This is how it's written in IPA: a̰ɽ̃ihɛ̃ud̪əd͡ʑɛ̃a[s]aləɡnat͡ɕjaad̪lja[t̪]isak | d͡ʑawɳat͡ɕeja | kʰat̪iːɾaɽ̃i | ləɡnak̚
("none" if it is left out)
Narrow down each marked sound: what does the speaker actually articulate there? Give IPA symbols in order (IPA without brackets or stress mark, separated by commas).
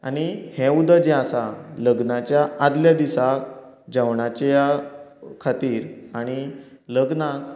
s, d̪